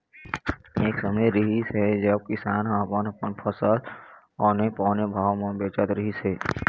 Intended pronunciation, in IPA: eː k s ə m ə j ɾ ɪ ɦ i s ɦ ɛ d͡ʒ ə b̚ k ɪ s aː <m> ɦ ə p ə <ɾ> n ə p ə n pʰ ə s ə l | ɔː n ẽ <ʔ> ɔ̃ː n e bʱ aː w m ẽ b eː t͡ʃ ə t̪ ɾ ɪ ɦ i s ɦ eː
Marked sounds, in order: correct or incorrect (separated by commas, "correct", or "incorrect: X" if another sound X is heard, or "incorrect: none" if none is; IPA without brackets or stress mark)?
incorrect: n, incorrect: none, incorrect: p